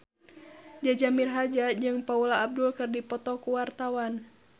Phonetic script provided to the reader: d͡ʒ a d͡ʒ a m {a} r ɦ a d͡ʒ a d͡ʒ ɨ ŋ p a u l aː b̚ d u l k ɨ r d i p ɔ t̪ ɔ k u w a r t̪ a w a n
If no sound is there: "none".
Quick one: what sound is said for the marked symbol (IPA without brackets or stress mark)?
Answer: i